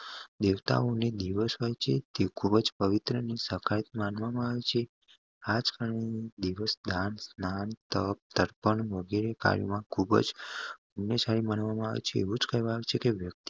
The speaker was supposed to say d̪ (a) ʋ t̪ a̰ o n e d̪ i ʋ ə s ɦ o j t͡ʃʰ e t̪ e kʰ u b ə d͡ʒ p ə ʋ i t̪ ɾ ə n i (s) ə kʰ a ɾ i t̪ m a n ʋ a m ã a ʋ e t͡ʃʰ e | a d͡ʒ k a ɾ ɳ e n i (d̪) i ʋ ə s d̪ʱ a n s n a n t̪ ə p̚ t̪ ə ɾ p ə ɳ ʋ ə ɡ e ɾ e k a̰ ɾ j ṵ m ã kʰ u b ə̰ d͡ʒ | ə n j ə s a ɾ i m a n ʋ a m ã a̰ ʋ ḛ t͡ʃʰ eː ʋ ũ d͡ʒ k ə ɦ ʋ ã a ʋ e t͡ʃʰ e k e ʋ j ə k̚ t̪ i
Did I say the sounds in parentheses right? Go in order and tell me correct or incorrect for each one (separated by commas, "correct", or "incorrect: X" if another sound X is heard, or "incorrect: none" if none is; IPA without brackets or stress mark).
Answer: incorrect: e, correct, correct